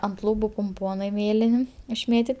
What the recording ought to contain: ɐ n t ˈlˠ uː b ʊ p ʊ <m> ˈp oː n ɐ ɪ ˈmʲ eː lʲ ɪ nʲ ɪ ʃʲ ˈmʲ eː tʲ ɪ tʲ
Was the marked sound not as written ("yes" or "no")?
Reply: no